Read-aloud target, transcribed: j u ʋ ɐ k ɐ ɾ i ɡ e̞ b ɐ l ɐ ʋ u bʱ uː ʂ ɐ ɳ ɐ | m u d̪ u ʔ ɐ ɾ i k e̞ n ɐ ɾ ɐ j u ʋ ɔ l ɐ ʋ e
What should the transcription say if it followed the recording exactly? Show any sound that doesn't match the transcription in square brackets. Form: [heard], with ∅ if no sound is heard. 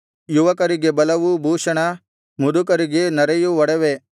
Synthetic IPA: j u ʋ ɐ k ɐ ɾ i ɡ e̞ b ɐ l ɐ ʋ u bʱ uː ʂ ɐ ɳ ɐ | m u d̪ u [k] ɐ ɾ i [ɡ] e̞ n ɐ ɾ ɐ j u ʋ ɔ [ɽ] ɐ ʋ e